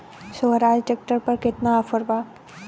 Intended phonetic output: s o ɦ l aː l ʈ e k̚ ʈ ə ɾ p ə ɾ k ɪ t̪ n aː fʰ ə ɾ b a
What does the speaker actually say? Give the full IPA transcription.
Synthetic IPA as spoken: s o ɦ ɾ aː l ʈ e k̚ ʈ ə ɾ p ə ɾ k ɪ t̪ n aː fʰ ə ɾ b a